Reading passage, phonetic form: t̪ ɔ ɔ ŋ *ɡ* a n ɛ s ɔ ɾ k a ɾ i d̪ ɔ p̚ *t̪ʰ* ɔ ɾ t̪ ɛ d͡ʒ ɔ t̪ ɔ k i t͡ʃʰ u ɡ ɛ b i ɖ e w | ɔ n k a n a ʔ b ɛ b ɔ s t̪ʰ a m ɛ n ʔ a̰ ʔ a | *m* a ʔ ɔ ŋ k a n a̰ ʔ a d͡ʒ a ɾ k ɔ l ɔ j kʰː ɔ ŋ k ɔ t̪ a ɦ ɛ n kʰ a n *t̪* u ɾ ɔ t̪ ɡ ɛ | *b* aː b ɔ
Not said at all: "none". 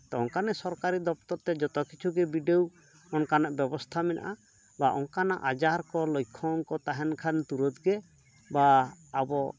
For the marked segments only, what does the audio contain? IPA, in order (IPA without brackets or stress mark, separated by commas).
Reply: k, t̪, b, t̪, b